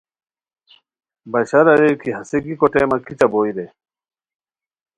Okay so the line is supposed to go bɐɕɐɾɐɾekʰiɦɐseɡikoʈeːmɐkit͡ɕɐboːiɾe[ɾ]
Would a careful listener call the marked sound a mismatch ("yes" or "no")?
yes